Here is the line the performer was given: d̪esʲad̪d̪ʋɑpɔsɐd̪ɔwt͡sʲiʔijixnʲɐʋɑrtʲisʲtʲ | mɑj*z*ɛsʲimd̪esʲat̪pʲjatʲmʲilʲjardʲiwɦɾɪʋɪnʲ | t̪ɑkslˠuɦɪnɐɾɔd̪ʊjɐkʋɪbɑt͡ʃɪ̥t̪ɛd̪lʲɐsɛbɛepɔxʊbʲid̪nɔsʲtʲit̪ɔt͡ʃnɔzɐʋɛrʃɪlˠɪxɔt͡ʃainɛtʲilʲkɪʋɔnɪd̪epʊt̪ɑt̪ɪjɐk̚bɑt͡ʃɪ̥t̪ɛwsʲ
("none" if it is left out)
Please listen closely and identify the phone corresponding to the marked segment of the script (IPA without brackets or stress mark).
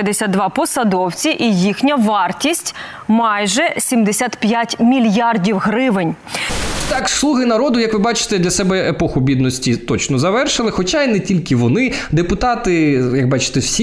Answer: ʒ